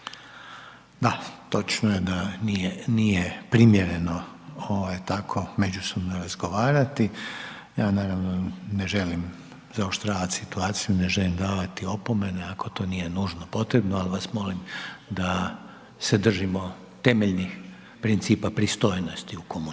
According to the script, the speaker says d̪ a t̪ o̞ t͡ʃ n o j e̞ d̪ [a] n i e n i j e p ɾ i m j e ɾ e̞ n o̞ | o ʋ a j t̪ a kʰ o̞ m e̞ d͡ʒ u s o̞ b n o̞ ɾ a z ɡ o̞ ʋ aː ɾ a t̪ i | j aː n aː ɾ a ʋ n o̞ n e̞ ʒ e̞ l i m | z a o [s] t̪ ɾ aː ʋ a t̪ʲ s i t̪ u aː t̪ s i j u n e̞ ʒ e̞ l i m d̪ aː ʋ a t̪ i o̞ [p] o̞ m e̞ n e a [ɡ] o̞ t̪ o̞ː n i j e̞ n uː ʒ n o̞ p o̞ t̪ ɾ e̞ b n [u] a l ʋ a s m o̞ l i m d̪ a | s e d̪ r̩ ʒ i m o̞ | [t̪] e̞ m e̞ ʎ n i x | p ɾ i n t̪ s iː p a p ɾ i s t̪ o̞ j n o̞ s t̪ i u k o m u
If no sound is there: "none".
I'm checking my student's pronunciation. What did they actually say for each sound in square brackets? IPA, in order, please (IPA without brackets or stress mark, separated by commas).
a, ʃ, p, k, o, t̪